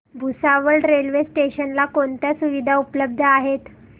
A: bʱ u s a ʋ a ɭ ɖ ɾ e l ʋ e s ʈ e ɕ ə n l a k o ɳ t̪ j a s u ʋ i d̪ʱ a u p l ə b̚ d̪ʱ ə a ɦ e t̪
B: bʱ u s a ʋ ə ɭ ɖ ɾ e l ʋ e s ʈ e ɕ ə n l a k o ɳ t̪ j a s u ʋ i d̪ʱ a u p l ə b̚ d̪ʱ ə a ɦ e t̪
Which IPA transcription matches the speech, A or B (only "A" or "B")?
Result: B